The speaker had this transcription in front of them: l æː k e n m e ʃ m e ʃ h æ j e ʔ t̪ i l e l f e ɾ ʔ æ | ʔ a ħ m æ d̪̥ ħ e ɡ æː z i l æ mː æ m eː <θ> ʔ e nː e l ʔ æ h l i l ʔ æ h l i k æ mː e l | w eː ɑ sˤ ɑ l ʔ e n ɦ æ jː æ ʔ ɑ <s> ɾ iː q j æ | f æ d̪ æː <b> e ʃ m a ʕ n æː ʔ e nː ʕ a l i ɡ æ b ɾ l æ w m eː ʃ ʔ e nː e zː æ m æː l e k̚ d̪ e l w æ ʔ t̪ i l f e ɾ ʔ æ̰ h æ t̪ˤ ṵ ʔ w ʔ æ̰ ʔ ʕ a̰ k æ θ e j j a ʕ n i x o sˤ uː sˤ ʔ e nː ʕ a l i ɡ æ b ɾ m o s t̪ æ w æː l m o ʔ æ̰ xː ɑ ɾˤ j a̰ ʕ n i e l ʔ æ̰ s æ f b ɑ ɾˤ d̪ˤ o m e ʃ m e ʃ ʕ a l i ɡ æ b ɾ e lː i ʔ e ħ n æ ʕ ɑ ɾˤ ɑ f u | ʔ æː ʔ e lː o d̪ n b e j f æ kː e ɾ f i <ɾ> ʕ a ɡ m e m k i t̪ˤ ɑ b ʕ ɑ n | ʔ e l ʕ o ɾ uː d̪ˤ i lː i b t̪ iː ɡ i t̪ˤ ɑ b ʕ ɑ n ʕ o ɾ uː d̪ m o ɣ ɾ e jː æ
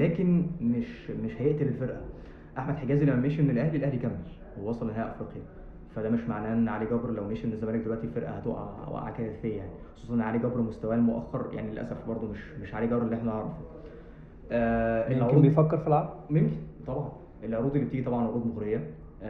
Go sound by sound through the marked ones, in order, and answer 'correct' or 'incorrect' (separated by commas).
incorrect, incorrect, incorrect, incorrect